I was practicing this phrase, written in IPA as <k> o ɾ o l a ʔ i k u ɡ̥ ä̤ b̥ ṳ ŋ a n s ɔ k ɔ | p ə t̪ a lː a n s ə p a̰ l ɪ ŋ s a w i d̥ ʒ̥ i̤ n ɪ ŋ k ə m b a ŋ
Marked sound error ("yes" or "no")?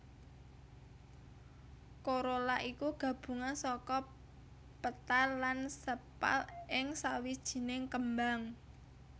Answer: no